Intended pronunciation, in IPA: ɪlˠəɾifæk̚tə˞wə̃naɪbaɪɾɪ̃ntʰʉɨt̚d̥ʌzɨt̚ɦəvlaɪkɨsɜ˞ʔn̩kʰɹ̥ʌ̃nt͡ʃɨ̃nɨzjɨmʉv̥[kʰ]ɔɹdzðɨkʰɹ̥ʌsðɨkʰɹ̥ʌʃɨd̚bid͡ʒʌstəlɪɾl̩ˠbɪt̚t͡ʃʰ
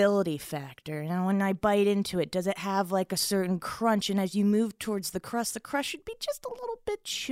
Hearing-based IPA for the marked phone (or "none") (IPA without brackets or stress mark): tʰ